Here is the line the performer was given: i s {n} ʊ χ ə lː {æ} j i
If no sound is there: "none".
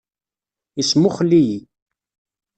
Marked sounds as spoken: m, i

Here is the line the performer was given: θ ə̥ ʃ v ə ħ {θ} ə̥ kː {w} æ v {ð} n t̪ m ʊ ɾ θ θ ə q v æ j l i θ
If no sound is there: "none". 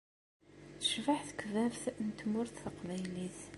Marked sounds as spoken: θ, v, θ

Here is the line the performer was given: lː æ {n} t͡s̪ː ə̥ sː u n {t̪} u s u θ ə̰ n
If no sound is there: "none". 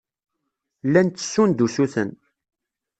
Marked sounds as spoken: n, d̪

